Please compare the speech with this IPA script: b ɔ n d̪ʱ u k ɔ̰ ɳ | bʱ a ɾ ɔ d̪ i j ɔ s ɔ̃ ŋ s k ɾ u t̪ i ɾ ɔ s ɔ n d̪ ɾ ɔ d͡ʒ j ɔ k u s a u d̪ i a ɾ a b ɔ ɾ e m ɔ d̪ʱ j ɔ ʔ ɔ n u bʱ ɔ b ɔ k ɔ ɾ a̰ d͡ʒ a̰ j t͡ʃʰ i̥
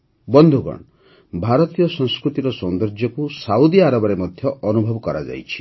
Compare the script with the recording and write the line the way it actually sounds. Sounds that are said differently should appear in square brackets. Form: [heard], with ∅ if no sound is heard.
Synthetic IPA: b ɔ n d̪ʱ u [ɡ] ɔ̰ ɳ | bʱ a ɾ ɔ [t̪] i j ɔ s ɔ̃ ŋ s k ɾ u t̪ i ɾ ɔ s ɔ n d̪ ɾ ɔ d͡ʒ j ɔ k u s a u d̪ i a ɾ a b ɔ ɾ e m ɔ d̪ʱ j ɔ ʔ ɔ n u bʱ ɔ b ɔ k ɔ ɾ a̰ d͡ʒ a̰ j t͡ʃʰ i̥